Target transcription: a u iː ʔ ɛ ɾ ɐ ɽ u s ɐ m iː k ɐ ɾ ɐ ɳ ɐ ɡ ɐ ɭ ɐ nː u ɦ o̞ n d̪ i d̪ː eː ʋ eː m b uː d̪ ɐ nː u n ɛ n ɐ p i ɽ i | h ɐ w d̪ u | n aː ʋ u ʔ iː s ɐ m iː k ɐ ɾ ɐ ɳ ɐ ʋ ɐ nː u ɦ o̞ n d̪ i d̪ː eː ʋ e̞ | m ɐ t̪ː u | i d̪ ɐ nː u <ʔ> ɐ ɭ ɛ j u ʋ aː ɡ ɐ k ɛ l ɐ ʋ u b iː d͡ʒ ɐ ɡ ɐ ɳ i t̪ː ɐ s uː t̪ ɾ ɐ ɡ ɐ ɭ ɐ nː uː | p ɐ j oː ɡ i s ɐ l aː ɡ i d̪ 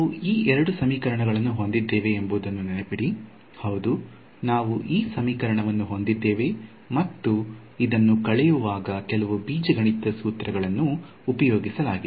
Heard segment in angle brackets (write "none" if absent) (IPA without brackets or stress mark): k